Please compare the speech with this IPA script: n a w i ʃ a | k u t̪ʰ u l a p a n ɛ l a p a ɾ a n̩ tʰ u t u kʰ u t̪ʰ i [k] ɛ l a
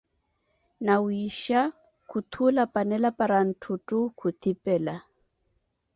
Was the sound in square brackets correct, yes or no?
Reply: no